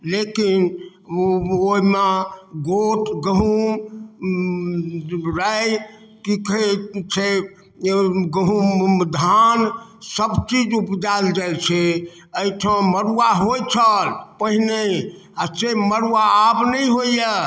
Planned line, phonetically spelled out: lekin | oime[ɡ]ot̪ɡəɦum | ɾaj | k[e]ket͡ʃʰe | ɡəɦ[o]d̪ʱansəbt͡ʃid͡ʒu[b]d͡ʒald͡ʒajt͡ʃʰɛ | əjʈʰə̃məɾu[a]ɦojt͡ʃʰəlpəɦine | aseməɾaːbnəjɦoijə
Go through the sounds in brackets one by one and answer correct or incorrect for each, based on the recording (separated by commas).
correct, incorrect, incorrect, incorrect, correct